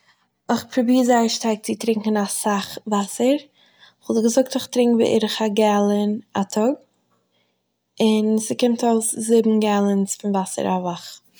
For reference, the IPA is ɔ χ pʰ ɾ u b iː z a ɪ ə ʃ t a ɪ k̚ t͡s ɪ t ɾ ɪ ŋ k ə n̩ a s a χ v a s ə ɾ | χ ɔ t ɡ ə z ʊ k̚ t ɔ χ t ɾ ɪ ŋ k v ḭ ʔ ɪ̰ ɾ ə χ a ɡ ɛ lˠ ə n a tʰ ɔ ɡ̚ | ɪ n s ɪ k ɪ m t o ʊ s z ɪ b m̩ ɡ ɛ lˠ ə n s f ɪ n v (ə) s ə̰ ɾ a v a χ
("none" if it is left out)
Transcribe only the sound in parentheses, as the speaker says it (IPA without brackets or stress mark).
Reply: a